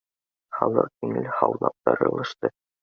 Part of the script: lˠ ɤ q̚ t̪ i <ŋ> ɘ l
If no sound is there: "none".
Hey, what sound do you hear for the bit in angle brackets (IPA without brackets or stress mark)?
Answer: ŋ